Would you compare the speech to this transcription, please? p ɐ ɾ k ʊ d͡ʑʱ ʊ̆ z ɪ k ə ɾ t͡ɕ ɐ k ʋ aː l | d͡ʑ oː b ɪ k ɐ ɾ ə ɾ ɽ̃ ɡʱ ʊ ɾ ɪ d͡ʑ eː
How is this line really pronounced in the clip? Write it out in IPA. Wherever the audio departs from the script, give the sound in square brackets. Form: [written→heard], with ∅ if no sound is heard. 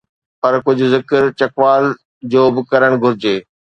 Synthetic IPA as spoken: p ɐ ɾ k ʊ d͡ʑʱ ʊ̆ z ɪ k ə ɾ t͡ɕ ɐ k ʋ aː l | d͡ʑ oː b ɪ k ɐ ɾ ə [ɾ→∅] ɽ̃ ɡʱ ʊ ɾ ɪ d͡ʑ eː